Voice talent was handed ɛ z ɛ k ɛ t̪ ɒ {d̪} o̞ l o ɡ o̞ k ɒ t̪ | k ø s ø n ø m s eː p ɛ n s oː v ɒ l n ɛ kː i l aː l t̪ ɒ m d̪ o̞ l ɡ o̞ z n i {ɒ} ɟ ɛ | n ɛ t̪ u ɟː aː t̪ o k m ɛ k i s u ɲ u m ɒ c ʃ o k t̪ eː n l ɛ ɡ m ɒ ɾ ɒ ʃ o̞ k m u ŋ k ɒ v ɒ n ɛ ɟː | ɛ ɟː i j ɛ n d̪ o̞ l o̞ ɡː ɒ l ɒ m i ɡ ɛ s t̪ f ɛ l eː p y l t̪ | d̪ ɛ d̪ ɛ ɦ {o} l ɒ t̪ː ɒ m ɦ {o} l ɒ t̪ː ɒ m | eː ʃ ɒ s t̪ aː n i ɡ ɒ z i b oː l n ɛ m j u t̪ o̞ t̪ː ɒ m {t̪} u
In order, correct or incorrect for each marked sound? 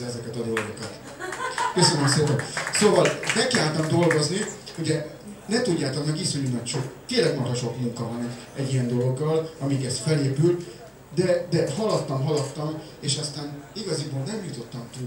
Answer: correct, incorrect, incorrect, incorrect, correct

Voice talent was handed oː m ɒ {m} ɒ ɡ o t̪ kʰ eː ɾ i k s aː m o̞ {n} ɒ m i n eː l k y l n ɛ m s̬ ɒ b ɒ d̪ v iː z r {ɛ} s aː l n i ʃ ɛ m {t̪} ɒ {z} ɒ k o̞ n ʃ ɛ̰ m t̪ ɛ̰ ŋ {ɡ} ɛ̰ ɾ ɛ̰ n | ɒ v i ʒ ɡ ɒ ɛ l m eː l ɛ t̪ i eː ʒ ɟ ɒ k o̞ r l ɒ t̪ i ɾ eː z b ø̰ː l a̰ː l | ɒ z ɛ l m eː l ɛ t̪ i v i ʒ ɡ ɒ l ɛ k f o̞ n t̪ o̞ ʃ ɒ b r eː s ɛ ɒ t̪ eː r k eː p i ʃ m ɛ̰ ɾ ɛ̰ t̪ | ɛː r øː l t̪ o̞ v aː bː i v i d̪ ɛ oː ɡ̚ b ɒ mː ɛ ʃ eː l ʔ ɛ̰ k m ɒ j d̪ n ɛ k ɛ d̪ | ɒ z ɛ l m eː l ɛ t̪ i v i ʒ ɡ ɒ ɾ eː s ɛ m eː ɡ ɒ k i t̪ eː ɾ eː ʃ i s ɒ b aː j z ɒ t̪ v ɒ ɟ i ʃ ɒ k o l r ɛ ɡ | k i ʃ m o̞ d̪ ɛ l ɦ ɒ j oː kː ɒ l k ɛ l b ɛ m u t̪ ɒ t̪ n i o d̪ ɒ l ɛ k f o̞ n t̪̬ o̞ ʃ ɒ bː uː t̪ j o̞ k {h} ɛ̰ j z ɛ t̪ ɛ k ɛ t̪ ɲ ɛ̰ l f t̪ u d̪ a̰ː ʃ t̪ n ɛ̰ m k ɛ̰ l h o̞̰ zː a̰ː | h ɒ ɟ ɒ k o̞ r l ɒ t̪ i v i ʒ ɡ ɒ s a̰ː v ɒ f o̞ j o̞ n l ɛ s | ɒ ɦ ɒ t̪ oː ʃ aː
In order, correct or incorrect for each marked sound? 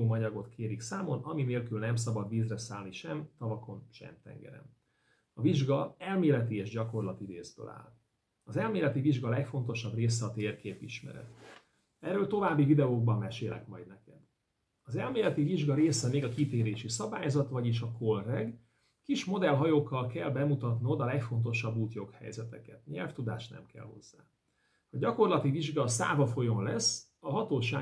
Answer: incorrect, correct, correct, correct, incorrect, correct, correct

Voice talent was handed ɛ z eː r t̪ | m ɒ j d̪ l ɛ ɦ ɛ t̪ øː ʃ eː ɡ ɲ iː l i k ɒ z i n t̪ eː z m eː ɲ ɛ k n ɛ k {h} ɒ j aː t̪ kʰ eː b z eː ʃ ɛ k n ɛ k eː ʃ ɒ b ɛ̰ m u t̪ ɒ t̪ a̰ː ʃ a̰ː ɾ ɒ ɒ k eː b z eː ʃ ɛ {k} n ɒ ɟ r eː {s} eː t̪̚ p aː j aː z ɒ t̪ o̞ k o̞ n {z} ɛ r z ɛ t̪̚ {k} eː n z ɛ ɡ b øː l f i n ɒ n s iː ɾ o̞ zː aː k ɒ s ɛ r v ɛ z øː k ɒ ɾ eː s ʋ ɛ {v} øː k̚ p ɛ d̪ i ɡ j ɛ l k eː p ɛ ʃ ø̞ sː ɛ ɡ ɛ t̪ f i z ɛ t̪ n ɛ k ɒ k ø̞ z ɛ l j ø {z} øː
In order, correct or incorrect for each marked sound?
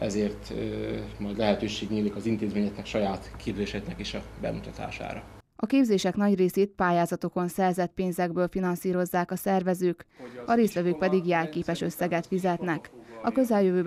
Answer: incorrect, correct, correct, incorrect, incorrect, correct, incorrect

